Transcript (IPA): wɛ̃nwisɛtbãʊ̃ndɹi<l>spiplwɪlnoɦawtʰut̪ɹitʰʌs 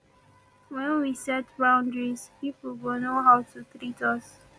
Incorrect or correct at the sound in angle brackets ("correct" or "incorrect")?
incorrect